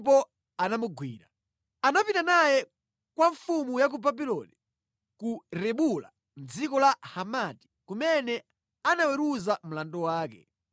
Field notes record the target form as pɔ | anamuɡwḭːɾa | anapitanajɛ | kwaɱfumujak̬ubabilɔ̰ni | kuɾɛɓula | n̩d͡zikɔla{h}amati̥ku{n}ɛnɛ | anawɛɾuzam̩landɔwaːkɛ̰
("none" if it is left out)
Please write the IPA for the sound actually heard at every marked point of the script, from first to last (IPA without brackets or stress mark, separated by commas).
h, m